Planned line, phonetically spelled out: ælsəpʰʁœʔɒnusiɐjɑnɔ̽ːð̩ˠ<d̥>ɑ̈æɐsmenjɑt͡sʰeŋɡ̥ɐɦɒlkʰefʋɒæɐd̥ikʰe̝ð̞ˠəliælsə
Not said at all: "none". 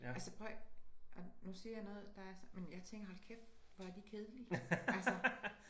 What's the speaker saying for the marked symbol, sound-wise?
d̥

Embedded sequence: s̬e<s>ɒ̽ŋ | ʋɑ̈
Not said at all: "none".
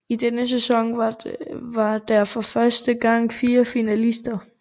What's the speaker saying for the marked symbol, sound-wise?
s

